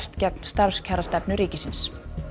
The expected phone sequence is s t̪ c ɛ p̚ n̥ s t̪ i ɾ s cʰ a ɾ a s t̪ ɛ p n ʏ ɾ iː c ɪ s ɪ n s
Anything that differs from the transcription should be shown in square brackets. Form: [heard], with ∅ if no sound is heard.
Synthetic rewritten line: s t̪ c ɛ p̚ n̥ s t̪ [a] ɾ s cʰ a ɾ a s t̪ ɛ p n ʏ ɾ iː c ɪ s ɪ n s